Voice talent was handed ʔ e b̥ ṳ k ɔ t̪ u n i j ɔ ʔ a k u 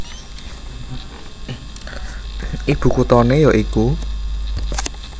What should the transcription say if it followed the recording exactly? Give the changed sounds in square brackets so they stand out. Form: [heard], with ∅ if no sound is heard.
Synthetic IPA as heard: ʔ [i] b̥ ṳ k [u] t̪ [ɔ] n [e] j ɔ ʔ [i] k u